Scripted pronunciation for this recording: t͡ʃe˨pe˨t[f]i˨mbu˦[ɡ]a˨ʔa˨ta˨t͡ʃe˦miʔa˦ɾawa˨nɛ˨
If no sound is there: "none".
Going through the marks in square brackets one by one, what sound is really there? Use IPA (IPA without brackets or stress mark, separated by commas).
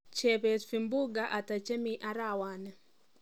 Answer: f, ɡ